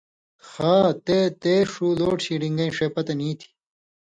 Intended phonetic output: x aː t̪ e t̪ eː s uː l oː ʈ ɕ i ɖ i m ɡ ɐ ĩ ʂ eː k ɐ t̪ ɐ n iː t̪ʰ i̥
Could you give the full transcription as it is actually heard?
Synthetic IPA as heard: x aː t̪ e t̪ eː ʂ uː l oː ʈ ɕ i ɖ i ŋ ɡ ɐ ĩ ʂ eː p ɐ t̪ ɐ n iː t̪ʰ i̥